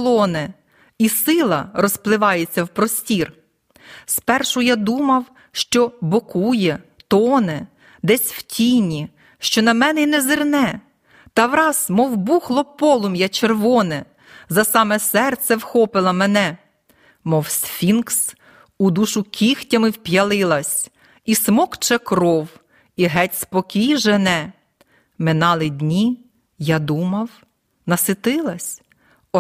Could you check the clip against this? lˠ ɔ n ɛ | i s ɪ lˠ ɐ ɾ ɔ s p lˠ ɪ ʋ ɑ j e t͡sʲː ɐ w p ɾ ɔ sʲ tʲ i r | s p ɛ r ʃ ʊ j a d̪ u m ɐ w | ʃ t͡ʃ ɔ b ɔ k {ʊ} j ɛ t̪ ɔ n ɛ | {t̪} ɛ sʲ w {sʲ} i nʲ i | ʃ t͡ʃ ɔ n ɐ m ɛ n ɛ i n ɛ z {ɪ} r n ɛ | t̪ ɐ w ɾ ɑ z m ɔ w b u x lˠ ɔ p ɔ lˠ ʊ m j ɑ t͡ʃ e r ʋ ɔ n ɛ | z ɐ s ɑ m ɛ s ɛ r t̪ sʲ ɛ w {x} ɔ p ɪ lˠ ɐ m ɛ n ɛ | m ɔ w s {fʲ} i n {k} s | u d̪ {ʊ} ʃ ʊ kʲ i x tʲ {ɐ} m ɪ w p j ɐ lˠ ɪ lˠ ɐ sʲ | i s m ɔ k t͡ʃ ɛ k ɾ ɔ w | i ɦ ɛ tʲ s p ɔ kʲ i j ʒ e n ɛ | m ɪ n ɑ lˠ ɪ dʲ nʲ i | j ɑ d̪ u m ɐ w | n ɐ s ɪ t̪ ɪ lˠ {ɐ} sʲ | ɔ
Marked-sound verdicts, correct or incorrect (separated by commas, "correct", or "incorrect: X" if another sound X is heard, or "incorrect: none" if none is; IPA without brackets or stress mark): incorrect: u, incorrect: d̪, incorrect: tʲ, correct, correct, correct, correct, incorrect: u, correct, correct